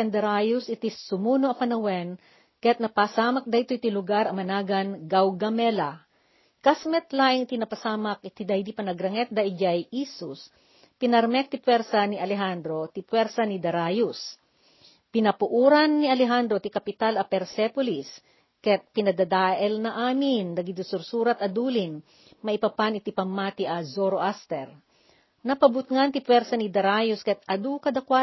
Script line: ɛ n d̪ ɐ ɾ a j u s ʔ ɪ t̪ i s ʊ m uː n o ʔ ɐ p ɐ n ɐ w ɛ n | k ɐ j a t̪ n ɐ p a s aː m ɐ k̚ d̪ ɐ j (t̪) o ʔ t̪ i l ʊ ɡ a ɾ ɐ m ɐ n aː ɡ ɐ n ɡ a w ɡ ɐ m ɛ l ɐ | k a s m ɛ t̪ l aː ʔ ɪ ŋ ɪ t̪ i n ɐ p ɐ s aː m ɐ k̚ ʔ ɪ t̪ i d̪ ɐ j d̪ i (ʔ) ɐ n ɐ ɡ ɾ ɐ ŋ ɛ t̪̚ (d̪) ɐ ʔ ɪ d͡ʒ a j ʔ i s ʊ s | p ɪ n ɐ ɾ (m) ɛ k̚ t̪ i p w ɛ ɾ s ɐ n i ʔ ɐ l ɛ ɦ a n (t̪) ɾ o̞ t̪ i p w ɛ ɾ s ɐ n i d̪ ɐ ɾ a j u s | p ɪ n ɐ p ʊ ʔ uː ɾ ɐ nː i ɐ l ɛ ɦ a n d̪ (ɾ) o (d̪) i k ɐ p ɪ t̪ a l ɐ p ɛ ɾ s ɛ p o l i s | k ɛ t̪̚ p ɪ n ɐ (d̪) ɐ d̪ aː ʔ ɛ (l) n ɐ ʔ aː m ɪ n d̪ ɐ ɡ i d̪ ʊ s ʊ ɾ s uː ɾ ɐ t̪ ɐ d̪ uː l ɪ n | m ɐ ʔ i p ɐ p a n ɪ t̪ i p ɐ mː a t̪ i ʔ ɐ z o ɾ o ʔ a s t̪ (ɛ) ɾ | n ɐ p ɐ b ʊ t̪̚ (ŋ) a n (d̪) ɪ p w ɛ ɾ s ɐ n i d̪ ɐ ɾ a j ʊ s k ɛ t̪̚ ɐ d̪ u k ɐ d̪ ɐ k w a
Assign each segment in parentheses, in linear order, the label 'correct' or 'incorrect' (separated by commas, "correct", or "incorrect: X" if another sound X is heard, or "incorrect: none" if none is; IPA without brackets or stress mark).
correct, incorrect: p, correct, correct, incorrect: d̪, correct, incorrect: t̪, correct, correct, correct, correct, incorrect: t̪